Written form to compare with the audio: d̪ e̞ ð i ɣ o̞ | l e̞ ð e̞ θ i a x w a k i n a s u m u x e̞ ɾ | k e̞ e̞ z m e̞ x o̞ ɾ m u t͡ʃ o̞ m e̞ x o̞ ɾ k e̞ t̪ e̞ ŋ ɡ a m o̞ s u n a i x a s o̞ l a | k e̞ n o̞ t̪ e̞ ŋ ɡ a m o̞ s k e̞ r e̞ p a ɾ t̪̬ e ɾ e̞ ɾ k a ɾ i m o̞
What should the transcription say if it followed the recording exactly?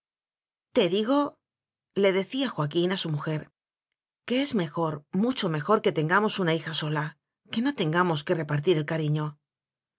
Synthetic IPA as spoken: t̪ e̞ ð i ɣ o̞ | l e̞ ð e̞ θ i a x w a k i n a s u m u x e̞ ɾ | k e̞ e̞ z m e̞ x o̞ ɾ m u t͡ʃ o̞ m e̞ x o̞ ɾ k e̞ t̪ e̞ ŋ ɡ a m o̞ s u n a i x a s o̞ l a | k e̞ n o̞ t̪ e̞ ŋ ɡ a m o̞ s k e̞ r e̞ p a ɾ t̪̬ i ɾ e̞ l k a ɾ i ɲ o̞